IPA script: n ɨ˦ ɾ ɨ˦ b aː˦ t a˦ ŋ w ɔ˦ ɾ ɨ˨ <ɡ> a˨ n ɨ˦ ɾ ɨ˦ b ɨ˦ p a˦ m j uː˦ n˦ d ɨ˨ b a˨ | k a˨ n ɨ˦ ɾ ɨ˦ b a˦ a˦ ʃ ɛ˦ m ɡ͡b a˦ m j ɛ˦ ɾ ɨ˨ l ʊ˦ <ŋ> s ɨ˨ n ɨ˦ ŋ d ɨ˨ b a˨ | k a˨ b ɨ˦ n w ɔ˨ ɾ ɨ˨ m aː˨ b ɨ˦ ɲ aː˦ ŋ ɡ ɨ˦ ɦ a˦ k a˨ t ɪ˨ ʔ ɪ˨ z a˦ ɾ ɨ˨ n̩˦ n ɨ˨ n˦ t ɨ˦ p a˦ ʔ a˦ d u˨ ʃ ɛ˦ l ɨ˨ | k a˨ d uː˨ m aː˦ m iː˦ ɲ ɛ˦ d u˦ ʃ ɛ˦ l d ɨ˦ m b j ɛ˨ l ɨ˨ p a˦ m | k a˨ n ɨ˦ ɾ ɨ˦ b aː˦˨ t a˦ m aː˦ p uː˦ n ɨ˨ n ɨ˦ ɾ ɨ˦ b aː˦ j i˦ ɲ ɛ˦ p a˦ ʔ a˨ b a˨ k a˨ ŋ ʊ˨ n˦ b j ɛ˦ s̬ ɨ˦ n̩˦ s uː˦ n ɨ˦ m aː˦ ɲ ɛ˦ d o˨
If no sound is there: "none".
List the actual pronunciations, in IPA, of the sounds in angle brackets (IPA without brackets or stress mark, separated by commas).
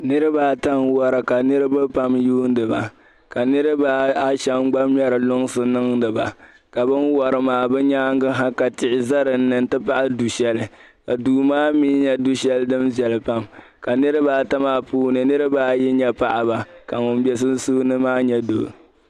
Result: k, ŋ